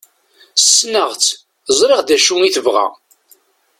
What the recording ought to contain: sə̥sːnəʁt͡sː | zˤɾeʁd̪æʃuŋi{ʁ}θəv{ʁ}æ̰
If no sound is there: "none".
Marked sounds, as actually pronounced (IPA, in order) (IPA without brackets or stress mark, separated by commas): none, ʁ